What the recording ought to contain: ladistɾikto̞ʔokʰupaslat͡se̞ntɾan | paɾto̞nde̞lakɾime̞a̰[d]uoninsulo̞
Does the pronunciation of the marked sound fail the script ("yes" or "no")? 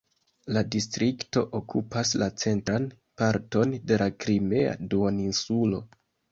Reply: no